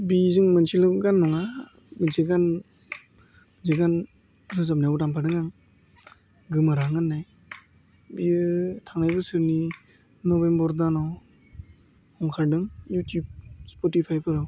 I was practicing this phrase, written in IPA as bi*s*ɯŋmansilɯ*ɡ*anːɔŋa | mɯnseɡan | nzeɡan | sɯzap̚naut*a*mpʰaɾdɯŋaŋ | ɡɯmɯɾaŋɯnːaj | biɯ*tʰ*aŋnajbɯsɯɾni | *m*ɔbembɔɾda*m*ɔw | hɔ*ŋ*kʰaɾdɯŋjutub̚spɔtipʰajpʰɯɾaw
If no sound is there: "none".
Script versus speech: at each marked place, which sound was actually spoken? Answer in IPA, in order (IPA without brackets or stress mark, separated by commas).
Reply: z, ɡ, a, tʰ, n, n, ŋ